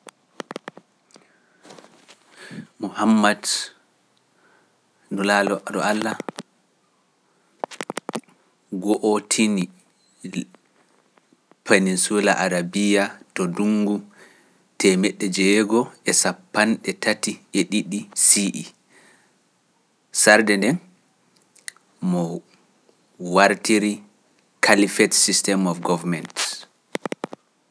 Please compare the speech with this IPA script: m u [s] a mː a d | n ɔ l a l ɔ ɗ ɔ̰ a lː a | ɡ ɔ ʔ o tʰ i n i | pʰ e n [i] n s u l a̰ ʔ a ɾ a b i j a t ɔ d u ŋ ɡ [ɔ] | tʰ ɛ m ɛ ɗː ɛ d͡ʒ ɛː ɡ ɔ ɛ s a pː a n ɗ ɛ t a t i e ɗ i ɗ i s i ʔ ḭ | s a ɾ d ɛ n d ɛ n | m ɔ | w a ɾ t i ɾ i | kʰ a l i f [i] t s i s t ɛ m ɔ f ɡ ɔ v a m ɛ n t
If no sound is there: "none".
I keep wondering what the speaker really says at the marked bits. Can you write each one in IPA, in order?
h, i, u, ɛ

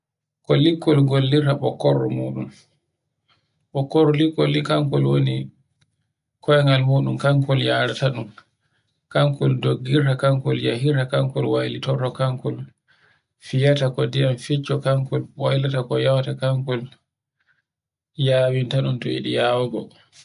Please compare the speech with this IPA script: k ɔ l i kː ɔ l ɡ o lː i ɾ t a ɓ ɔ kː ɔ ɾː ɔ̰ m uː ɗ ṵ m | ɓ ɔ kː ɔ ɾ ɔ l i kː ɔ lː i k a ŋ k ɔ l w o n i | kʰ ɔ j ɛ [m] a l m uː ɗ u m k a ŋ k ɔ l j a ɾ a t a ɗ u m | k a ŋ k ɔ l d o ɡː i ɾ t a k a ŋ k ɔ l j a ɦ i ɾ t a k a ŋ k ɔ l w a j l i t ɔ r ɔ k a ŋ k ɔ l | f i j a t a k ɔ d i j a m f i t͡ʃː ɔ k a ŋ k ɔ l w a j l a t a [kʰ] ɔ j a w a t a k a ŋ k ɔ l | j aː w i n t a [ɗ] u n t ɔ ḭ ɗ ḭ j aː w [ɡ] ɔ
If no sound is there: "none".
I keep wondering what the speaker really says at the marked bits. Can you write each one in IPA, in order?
ŋ, k, ɗ, ɡ

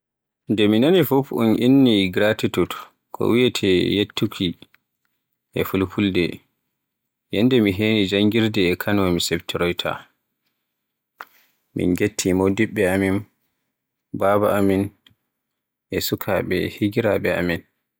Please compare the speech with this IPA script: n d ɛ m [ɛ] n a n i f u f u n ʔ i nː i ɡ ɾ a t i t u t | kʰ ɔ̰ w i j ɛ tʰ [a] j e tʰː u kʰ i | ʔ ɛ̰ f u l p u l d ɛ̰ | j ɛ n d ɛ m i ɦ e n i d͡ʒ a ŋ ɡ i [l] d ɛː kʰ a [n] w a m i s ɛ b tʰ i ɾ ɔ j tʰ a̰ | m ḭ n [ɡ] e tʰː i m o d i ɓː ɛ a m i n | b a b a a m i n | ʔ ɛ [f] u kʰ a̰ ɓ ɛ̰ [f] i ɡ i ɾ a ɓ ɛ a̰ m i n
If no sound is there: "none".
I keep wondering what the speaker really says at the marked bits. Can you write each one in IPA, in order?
i, ɛ, ɾ, n, ɡ, s, h

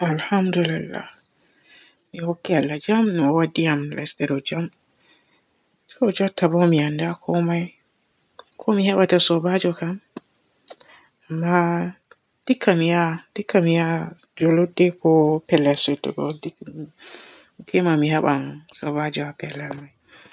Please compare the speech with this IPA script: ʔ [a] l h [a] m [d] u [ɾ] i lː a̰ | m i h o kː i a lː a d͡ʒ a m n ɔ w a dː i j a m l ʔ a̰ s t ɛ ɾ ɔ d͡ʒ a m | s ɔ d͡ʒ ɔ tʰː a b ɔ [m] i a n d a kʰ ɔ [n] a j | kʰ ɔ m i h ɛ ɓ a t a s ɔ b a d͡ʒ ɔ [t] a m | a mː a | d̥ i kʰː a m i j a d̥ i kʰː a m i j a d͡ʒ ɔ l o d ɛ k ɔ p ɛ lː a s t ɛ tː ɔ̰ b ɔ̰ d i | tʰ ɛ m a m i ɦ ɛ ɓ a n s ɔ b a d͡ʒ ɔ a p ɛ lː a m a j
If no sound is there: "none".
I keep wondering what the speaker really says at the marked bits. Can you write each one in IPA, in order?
a, a, d, l, m, m, k

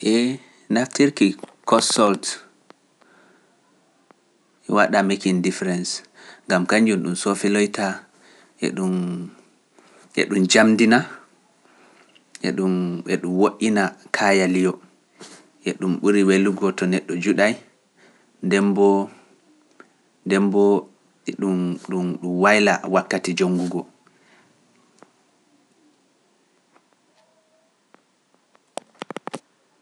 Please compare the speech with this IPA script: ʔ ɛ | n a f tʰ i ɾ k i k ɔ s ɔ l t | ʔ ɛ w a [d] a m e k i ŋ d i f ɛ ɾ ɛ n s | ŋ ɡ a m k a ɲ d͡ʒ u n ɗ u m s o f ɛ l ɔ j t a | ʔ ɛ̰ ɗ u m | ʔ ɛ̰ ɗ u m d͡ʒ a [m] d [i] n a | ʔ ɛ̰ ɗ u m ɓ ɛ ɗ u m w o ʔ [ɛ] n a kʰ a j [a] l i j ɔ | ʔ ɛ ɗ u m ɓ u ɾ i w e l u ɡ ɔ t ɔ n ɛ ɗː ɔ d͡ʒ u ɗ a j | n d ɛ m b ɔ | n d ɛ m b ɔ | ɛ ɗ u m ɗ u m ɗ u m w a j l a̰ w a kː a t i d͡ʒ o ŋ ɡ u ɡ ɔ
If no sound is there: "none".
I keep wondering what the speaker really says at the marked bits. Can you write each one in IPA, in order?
ɗ, m, i, i, a

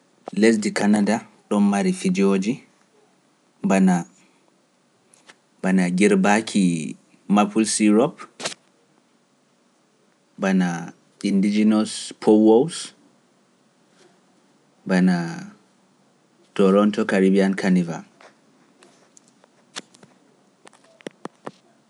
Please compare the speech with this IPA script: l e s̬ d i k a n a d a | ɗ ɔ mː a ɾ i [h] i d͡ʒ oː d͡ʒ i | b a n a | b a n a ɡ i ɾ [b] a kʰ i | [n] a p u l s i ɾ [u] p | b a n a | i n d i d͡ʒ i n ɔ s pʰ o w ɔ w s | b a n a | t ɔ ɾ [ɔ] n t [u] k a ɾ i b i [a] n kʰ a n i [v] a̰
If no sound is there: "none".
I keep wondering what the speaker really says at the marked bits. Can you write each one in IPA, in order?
f, b, m, ɔ, ɔ, ɔ, a, v

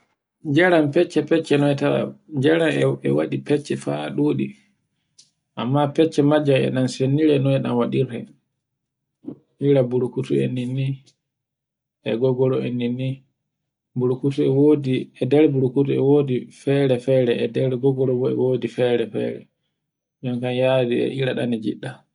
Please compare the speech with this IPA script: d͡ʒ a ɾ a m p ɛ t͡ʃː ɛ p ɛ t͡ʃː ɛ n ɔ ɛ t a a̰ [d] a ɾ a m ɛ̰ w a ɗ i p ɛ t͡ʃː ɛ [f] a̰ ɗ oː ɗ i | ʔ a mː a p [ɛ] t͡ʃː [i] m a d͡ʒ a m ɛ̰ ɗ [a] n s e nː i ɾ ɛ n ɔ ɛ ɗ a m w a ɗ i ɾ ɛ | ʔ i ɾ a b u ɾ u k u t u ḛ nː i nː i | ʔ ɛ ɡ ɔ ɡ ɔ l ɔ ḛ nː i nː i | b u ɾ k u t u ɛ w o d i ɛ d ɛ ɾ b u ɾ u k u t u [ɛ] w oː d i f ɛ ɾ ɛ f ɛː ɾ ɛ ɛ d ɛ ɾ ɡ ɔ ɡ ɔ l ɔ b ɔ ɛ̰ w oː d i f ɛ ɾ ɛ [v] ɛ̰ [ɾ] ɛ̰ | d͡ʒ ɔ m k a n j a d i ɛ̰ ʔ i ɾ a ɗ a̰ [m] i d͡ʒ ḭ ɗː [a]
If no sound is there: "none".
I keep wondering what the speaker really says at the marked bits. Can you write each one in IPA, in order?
d͡ʒ, f, ɛ, ɛ, a, ɛ, f, ɾ, n, a

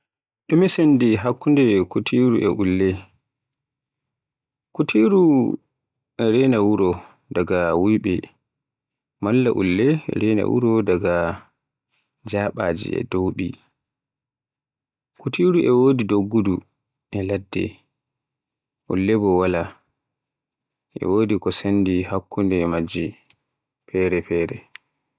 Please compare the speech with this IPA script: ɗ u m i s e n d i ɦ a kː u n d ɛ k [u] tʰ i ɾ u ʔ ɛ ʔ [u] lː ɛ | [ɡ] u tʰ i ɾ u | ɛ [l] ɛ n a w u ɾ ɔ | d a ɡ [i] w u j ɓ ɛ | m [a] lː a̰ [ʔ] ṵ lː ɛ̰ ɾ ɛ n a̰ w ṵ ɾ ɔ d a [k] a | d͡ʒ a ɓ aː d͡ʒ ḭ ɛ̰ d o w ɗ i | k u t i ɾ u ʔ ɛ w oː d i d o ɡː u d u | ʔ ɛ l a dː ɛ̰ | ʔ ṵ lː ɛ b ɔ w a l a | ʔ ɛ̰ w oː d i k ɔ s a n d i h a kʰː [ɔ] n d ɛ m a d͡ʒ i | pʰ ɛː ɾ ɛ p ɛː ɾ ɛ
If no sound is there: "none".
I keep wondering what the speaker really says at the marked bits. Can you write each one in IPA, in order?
u, u, k, ɾ, a, a, ʔ, ɡ, u

